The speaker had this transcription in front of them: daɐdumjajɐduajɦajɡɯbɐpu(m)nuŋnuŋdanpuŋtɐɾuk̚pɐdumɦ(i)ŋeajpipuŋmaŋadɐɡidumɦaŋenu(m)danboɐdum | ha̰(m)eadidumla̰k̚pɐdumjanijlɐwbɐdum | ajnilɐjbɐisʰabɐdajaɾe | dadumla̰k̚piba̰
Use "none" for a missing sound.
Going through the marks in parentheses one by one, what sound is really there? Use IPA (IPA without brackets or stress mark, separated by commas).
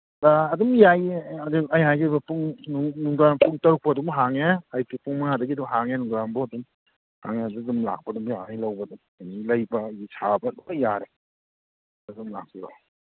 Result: ŋ, a, ŋ, ŋ